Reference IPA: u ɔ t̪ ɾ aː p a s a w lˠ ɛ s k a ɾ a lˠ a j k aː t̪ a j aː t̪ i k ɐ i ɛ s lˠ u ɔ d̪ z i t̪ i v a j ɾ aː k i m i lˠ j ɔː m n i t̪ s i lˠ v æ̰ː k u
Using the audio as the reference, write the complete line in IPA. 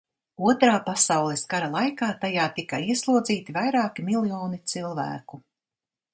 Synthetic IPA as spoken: u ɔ t̪ ɾ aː p a s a w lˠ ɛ s k a ɾ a lˠ a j k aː t̪ a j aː t̪ i k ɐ i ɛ s lˠ u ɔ d̪ z iː t̪ i v a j ɾ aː k i m i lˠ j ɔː n i t̪ s i lˠ v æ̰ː k u